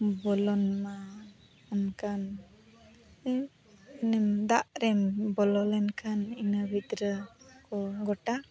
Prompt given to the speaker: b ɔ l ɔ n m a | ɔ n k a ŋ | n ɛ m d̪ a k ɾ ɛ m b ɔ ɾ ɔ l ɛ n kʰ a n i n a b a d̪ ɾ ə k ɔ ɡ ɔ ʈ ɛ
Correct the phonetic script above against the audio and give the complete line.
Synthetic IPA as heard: b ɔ l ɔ n m a | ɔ n k a n | n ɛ m d̪ a ʔ ɾ ɛ m b ɔ l ɔ l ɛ n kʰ a n i n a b i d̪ ɾ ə k ɔ ɡ ɔ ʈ a